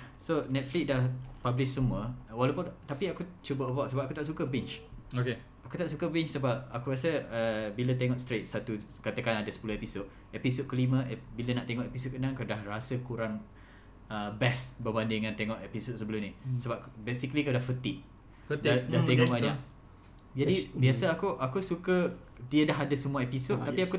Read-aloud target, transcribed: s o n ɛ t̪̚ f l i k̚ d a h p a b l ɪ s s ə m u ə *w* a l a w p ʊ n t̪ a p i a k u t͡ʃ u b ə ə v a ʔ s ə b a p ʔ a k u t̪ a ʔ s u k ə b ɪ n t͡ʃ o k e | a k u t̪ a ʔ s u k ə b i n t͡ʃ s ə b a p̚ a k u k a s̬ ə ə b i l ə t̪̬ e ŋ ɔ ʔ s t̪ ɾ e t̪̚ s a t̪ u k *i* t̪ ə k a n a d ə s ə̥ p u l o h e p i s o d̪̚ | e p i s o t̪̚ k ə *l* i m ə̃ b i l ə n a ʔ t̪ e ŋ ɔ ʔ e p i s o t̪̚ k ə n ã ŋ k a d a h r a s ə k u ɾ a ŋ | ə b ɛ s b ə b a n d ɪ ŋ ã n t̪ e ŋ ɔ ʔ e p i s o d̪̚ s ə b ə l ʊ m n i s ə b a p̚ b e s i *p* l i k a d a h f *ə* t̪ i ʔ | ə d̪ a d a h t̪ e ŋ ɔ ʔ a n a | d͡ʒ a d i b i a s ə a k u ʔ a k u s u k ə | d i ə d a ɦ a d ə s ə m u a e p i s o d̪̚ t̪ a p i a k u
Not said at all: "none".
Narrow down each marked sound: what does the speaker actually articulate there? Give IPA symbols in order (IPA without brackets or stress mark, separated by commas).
w, a, l, k, ə